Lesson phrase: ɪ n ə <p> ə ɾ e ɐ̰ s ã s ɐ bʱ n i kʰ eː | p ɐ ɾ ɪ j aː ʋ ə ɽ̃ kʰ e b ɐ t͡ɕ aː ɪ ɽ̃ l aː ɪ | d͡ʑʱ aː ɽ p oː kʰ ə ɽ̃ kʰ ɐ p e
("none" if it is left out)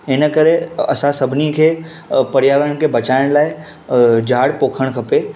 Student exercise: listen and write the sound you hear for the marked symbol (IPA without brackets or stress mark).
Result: k